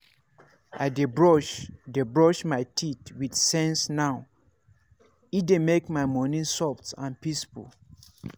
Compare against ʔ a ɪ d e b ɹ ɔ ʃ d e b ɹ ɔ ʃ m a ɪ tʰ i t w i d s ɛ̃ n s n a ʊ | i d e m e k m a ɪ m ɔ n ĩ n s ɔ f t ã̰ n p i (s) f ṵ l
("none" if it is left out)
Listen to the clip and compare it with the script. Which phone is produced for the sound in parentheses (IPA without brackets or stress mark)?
s